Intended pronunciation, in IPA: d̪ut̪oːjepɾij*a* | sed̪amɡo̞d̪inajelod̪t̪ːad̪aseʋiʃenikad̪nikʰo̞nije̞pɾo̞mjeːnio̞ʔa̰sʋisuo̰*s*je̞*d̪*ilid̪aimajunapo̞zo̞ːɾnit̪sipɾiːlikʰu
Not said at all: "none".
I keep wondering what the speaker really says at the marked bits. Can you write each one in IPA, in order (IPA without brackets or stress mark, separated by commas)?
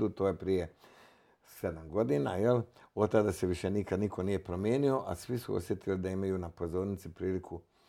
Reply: e, s, t̪